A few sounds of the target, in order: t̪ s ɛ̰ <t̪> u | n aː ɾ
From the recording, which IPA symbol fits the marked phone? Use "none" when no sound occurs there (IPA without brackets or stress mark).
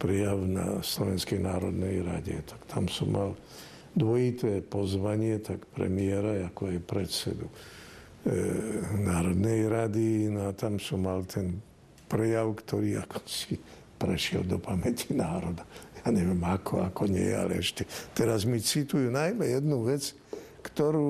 d̪